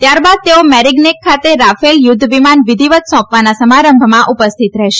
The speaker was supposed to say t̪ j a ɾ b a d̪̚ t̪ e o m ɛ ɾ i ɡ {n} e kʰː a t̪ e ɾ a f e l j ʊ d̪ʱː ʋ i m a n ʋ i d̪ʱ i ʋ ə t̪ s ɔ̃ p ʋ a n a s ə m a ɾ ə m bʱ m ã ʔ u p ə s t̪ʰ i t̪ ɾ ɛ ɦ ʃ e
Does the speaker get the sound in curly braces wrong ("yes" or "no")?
no